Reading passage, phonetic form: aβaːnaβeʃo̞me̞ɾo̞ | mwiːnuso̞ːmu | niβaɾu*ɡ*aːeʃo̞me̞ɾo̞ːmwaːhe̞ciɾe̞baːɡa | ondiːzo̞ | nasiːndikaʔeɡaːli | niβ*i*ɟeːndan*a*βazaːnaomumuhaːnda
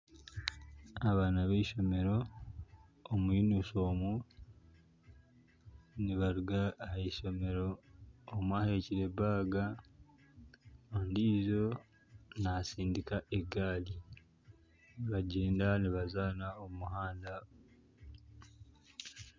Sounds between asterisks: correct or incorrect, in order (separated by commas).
correct, incorrect, incorrect